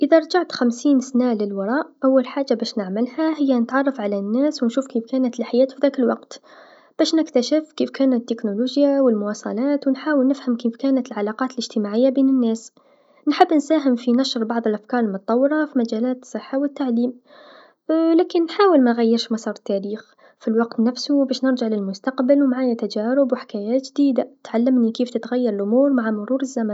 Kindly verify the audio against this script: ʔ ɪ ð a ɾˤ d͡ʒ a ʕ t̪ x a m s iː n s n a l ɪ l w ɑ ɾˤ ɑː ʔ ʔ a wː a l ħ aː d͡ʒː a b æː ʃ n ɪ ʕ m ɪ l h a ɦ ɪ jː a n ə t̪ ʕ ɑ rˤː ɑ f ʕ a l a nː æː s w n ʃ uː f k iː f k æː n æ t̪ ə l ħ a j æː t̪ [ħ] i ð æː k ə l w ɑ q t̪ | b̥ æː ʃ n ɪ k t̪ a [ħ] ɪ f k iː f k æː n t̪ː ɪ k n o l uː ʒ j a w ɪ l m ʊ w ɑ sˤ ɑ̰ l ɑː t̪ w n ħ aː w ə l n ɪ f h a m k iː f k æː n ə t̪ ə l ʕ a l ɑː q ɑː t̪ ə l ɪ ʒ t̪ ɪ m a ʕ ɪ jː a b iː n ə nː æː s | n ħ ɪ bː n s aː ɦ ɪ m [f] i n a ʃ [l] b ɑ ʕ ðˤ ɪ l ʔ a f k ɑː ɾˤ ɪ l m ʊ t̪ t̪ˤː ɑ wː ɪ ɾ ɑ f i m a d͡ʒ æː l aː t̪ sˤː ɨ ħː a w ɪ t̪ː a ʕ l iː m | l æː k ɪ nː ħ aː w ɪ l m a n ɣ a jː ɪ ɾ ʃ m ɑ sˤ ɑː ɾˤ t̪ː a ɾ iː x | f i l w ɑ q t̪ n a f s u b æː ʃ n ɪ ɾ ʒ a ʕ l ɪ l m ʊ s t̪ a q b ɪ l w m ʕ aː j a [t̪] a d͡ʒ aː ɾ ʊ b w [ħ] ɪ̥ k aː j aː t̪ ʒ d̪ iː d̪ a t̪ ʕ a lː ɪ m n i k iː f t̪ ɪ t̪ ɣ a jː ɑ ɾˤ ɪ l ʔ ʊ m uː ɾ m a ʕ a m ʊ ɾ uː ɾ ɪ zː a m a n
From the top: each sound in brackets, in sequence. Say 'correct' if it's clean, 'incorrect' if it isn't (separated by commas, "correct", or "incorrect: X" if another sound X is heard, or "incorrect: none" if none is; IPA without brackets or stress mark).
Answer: incorrect: f, incorrect: ʃ, correct, incorrect: ɾ, correct, correct